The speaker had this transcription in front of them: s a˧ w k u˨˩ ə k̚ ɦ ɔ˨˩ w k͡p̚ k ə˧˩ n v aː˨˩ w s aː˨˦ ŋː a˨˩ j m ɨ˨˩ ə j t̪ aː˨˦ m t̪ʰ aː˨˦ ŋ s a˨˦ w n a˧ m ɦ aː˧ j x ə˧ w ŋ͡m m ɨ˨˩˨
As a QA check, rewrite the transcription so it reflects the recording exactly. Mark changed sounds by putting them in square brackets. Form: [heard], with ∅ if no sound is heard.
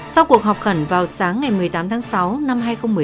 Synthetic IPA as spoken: s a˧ w k u˨˩ ə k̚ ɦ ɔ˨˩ w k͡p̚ [x] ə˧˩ n v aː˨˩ w s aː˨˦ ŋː a˨˩ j m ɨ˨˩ ə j t̪ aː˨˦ m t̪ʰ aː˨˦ ŋ s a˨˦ w n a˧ m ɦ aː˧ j x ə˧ w ŋ͡m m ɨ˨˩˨

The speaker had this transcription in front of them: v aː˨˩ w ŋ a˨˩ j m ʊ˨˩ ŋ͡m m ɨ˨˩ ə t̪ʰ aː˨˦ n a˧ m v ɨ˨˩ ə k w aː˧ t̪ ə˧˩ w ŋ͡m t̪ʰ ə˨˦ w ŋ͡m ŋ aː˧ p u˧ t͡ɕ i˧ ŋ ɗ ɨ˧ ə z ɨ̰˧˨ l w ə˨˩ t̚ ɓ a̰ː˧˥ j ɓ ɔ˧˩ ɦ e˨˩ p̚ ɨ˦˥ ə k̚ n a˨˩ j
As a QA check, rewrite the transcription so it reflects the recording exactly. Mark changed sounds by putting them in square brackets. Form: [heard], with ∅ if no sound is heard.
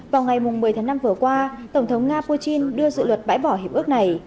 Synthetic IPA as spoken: v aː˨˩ w ŋ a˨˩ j m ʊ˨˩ ŋ͡m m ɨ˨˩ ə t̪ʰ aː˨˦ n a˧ m v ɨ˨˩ ə k w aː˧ t̪ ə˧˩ w ŋ͡m t̪ʰ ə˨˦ w ŋ͡m ŋ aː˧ p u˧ t͡ɕ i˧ [n] ɗ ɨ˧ ə z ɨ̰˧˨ l w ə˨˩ t̚ ɓ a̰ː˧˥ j ɓ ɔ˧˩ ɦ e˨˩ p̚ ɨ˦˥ ə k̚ n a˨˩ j

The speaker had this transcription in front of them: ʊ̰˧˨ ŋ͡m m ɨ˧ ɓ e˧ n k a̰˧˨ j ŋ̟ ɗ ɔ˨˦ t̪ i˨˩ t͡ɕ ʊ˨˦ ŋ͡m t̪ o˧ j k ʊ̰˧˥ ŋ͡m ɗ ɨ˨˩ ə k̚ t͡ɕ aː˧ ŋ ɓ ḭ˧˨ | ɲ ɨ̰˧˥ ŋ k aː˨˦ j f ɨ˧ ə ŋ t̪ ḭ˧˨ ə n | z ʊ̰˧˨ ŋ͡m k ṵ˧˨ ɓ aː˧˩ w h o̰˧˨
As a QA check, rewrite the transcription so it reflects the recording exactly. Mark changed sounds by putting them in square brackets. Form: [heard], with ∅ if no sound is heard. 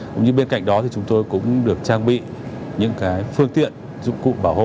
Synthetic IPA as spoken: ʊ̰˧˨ ŋ͡m [ɲ] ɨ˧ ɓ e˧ n k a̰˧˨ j ŋ̟ ɗ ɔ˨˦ t̪ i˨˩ t͡ɕ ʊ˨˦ ŋ͡m t̪ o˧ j k ʊ̰˧˥ ŋ͡m ɗ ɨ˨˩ ə k̚ t͡ɕ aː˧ ŋ ɓ ḭ˧˨ | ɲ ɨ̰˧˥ ŋ k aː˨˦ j f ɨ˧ ə ŋ t̪ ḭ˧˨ ə n | z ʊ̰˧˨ ŋ͡m k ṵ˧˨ ɓ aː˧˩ w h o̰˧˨

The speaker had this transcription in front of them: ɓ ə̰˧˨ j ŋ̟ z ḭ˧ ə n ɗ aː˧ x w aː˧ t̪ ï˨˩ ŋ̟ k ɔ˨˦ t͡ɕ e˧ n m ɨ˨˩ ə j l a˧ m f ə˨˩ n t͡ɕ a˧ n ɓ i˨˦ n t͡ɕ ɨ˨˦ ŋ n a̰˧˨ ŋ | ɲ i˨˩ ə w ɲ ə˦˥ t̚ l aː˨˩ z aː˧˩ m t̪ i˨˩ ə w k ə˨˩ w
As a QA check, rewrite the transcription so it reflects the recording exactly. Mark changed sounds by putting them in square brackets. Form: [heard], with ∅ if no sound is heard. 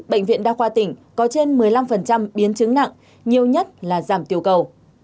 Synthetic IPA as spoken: ɓ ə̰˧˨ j ŋ̟ [v] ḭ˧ ə n ɗ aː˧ x w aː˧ t̪ ï˨˩ ŋ̟ k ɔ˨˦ t͡ɕ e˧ n m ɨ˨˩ ə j l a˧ m f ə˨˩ n t͡ɕ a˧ [m] ɓ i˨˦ n t͡ɕ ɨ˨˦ ŋ n a̰˧˨ ŋ | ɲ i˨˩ ə w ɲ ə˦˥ t̚ l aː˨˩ z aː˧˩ m t̪ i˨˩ ə w k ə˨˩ w

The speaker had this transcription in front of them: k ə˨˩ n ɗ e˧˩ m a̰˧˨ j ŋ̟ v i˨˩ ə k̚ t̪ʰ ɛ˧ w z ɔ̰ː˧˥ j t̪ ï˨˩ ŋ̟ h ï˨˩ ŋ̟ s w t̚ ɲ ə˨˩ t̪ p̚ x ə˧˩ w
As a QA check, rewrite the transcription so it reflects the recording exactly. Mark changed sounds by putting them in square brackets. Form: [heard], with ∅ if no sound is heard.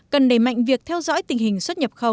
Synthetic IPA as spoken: k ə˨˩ n ɗ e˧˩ m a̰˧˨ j ŋ̟ v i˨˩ ə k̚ t̪ʰ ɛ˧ w z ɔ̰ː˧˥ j t̪ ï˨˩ ŋ̟ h ï˨˩ ŋ̟ s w t̚ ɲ ə˨˩ [∅] p̚ x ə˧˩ w

